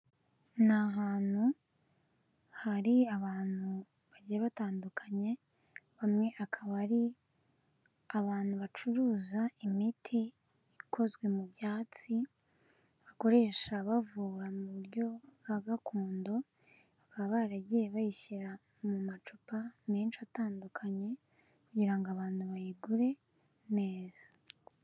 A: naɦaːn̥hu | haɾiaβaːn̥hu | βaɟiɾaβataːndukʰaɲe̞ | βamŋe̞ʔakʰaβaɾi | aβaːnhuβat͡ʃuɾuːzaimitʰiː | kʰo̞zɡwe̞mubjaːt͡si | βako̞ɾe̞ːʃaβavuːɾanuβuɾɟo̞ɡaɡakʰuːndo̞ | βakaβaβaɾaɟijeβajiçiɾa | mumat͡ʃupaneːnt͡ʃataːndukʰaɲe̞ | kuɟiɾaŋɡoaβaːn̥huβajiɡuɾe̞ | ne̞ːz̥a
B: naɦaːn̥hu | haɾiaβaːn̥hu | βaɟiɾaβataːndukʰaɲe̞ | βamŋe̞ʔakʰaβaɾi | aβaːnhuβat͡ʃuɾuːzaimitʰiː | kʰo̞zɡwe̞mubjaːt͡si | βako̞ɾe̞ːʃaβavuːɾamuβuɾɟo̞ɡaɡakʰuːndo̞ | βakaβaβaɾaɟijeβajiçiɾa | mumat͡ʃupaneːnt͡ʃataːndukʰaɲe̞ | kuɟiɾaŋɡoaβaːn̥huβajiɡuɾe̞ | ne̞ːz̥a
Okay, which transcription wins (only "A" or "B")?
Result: B